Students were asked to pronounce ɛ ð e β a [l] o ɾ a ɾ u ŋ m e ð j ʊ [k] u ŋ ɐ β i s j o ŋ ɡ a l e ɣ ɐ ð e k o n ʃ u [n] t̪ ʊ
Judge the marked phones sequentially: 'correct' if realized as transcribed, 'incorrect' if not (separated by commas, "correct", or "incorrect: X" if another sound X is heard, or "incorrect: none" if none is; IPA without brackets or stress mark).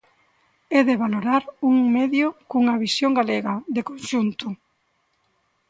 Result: correct, correct, correct